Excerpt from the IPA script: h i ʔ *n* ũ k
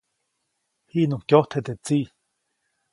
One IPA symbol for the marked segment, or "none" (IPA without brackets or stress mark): n